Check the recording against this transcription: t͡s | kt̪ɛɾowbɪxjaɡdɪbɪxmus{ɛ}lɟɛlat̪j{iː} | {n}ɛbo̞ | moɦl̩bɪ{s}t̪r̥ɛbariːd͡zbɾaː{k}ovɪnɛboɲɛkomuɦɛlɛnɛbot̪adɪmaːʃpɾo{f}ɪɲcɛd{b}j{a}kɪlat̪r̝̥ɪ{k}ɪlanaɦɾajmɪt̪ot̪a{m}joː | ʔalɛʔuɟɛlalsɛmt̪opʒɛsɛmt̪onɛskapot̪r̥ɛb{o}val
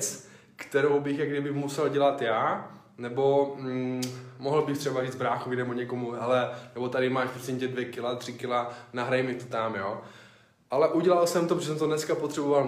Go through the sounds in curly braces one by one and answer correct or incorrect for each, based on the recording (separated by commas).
correct, incorrect, correct, incorrect, incorrect, incorrect, incorrect, incorrect, correct, correct, correct